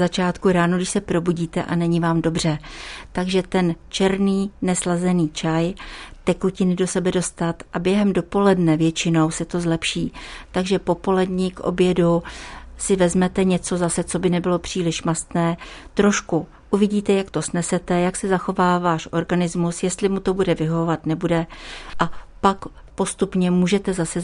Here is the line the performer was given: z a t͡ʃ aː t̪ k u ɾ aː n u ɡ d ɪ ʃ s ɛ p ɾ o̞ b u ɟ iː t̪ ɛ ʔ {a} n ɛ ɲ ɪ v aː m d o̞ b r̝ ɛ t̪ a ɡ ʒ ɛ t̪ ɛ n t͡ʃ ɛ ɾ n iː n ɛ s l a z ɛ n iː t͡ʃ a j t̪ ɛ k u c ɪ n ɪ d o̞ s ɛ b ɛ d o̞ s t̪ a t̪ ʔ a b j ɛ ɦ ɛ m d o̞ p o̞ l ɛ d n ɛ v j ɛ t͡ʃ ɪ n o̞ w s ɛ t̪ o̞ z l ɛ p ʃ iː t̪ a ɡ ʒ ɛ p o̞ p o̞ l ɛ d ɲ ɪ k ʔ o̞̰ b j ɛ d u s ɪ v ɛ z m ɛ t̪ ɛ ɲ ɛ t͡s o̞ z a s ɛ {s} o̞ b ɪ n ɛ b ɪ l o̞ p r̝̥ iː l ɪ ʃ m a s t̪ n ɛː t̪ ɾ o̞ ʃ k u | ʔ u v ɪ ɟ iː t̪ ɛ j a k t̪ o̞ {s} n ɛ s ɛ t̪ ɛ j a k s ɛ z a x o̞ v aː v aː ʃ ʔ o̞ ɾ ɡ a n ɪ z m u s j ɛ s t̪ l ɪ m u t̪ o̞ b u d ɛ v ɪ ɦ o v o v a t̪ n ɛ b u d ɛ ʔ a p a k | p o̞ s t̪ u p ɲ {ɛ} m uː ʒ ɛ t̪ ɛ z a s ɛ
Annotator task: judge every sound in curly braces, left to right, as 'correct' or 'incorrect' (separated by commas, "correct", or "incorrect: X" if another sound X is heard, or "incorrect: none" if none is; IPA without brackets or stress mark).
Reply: correct, incorrect: t͡s, correct, correct